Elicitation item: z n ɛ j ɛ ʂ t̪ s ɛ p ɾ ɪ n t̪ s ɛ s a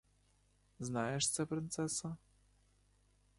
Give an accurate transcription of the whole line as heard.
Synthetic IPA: z n a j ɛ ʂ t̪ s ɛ p ɾ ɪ n t̪ s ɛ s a